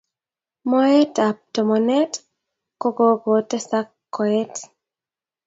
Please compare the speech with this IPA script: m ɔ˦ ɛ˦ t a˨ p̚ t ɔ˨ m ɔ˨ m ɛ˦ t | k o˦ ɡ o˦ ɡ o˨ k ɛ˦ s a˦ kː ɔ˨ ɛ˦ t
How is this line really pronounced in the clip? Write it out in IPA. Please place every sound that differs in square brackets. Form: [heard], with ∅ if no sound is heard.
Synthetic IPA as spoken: m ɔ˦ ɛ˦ t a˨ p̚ t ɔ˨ m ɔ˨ [n] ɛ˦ t | k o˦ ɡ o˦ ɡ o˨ [t] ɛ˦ s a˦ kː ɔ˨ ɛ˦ t